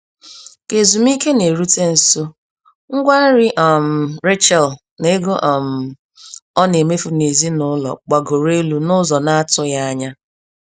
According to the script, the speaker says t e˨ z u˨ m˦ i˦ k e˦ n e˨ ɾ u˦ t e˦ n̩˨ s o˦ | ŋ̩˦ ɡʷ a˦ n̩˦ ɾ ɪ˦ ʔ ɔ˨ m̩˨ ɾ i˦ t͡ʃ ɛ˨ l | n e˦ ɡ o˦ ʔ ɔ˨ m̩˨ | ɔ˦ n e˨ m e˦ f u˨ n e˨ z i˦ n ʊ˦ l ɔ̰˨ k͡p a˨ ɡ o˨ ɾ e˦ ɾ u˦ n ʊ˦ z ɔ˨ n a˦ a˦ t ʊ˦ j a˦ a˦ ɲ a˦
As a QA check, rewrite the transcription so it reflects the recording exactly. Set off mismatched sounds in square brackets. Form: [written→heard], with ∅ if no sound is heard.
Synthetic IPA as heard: [t→k] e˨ z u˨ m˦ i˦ k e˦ n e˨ ɾ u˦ t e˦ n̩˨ s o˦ | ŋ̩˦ ɡʷ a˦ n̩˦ ɾ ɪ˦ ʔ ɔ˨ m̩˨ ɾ [i˦→e˦] t͡ʃ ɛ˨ l | n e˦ ɡ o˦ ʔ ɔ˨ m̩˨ | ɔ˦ n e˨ m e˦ f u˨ n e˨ z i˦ n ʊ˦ l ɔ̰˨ k͡p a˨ ɡ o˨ ɾ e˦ [ɾ→l] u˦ n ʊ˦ z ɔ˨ n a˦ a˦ t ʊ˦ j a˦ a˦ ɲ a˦